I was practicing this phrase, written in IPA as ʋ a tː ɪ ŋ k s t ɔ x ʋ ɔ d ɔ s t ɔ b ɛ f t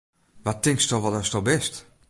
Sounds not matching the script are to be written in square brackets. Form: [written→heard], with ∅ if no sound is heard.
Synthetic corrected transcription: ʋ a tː ɪ ŋ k s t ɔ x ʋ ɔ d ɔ s t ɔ b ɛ [f→s] t